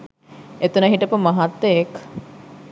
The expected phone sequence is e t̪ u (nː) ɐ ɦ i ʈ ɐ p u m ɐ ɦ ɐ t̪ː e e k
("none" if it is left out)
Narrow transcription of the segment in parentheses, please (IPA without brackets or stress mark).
n